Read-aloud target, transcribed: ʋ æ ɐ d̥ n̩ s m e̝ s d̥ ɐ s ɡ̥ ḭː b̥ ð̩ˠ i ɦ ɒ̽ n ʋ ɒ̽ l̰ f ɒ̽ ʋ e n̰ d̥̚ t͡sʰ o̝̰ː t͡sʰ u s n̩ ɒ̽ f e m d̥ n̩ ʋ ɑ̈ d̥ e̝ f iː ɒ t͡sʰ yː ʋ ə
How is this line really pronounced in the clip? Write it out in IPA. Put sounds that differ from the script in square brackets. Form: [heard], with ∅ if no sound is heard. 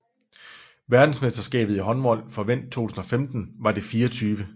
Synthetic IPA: ʋ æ ɐ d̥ n̩ s m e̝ s d̥ ɐ s ɡ̥ [ɛ̰ː] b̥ ð̩ˠ i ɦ ɒ̽ n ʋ ɒ̽ l̰ f ɒ̽ ʋ e n̰ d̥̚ t͡sʰ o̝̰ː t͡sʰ u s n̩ ɒ̽ f e m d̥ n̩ ʋ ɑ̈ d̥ e̝ f iː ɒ t͡sʰ yː ʋ ə